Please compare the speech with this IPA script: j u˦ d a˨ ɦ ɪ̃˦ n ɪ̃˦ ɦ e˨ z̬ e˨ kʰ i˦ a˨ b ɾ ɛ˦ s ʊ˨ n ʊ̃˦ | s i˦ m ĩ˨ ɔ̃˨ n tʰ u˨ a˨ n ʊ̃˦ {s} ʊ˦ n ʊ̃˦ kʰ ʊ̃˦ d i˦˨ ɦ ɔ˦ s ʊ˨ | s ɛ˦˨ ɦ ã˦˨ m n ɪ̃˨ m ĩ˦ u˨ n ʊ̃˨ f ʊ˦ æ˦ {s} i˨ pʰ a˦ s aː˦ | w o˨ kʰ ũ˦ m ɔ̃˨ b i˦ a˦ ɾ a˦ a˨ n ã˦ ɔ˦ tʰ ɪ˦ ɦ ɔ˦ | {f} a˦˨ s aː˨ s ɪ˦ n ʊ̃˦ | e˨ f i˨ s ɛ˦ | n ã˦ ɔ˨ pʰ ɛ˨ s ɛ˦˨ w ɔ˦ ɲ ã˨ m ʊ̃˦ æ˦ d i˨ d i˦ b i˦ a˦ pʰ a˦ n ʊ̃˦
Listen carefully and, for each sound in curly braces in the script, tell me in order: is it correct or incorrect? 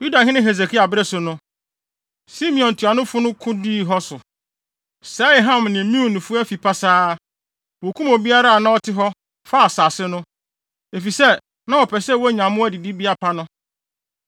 incorrect: f, incorrect: f, correct

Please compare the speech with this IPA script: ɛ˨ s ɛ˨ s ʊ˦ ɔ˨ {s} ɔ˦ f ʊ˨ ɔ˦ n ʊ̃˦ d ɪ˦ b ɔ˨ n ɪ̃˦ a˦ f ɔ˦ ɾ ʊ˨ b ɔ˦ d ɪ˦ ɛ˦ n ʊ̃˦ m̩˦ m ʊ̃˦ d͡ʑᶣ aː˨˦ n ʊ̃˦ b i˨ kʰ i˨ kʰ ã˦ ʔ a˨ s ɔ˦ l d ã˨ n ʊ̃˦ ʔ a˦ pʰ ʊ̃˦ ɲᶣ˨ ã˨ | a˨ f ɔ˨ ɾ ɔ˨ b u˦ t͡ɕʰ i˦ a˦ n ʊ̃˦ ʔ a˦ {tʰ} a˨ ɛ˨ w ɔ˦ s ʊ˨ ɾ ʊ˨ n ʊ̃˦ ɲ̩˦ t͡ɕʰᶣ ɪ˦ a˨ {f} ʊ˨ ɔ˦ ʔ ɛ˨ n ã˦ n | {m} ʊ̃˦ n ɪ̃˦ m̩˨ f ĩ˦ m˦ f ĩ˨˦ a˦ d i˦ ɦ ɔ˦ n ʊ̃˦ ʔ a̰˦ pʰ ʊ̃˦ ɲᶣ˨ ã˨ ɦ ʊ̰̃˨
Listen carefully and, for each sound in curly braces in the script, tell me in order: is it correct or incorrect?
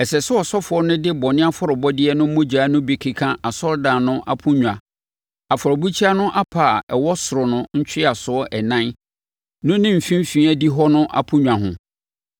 correct, incorrect: pʰ, incorrect: s, incorrect: n

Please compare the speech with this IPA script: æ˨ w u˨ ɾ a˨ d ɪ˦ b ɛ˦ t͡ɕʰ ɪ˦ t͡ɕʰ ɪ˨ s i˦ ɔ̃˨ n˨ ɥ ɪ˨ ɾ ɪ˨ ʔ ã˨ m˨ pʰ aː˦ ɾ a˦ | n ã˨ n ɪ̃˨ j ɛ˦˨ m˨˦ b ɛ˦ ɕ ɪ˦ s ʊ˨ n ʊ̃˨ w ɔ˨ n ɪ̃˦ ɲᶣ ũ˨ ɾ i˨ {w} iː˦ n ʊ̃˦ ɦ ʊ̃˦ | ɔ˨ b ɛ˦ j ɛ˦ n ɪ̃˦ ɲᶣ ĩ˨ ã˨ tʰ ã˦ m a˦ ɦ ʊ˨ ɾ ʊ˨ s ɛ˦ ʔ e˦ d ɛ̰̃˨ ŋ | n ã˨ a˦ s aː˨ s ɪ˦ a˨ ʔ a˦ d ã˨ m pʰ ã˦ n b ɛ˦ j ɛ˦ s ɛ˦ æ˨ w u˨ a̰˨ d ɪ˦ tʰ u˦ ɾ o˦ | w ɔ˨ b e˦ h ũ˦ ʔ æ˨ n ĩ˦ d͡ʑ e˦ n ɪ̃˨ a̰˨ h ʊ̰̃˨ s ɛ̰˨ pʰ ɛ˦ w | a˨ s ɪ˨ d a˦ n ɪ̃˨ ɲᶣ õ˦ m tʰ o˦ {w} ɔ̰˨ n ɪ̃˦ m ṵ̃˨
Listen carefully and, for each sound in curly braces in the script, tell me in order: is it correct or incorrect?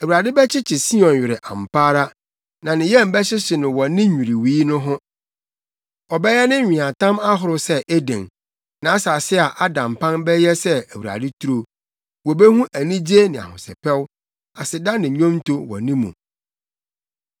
correct, correct

